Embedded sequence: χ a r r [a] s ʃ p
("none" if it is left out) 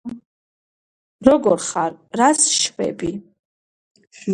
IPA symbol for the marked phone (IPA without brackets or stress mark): a